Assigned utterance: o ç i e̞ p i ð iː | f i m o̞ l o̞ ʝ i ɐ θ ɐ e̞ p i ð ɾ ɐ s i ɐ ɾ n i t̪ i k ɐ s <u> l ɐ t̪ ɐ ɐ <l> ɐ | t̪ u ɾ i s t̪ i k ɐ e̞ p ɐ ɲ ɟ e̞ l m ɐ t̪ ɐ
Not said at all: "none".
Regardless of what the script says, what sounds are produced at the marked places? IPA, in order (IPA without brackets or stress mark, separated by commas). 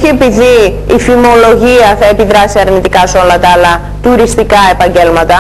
o, l